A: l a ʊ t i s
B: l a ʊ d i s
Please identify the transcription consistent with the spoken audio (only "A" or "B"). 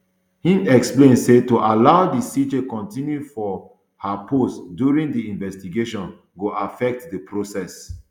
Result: B